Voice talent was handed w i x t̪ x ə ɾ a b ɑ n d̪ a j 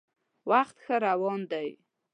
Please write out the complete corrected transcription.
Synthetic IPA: w a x t̪ x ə ɾ a w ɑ n d̪ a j